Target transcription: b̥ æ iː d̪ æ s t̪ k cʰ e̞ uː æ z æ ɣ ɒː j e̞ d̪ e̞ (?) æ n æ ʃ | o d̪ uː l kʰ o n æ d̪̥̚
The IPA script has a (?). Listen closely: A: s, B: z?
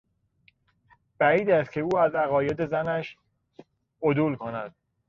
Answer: B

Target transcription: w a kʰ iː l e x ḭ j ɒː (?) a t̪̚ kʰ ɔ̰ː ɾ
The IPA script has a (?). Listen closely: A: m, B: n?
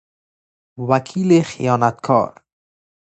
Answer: B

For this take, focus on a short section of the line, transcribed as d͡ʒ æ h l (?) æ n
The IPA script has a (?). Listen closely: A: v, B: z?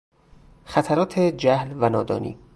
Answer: A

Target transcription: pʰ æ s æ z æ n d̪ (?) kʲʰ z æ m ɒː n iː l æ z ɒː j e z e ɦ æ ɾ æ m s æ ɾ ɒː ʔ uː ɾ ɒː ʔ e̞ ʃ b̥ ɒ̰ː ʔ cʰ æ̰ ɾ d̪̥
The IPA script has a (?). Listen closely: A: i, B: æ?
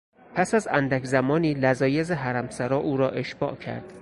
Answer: B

